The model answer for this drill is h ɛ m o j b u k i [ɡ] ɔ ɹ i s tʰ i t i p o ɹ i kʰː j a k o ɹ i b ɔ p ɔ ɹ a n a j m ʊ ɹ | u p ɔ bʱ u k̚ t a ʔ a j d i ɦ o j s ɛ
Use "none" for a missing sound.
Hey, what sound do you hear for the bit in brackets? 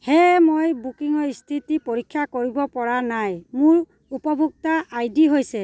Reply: ŋ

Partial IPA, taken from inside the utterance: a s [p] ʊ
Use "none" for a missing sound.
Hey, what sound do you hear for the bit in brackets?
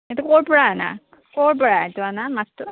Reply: t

